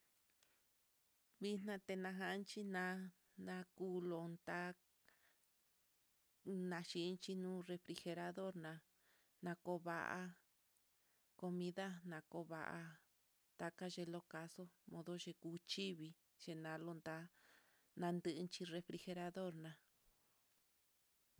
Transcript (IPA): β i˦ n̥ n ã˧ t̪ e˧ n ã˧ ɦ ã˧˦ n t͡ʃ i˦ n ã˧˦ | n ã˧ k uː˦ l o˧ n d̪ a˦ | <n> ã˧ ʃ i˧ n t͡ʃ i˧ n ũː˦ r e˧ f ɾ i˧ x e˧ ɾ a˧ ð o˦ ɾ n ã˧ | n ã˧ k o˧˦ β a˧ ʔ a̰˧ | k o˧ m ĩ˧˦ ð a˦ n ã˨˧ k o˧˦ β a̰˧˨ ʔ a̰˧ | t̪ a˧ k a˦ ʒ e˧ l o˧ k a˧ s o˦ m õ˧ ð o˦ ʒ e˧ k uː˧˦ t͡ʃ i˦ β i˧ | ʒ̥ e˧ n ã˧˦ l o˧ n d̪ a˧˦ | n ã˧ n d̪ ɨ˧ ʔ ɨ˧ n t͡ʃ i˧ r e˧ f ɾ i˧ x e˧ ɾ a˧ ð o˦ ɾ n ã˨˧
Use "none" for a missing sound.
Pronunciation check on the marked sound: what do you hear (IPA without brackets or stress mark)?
n